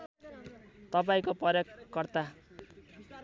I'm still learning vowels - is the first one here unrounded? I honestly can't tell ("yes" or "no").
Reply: yes